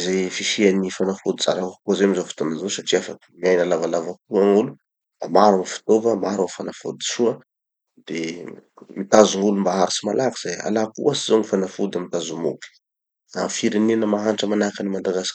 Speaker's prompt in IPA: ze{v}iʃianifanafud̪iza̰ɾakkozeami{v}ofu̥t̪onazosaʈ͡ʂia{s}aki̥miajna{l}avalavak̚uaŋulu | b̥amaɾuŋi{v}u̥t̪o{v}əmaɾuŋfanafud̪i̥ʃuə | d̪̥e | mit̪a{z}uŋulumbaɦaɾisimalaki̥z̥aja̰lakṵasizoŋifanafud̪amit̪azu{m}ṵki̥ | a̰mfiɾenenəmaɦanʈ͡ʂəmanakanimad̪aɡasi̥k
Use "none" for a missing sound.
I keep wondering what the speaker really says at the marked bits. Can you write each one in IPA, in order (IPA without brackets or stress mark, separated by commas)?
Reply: f, z, f, l, f, v, z, m